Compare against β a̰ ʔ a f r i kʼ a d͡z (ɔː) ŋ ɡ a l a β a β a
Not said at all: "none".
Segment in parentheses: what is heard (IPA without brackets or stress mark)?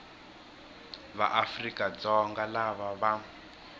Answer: ɔ